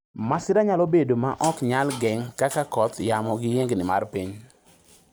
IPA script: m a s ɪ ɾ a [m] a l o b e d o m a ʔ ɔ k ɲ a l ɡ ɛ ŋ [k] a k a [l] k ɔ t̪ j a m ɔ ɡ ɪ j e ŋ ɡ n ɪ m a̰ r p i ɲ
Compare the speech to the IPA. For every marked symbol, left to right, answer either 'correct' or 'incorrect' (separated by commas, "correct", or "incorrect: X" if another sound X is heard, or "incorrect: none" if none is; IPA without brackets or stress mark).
incorrect: ɲ, correct, incorrect: none